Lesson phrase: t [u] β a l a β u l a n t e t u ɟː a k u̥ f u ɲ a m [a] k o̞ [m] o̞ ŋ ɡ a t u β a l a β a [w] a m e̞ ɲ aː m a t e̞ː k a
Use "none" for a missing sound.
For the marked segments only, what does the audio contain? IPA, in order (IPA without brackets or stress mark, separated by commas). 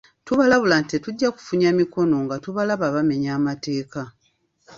u, i, n, β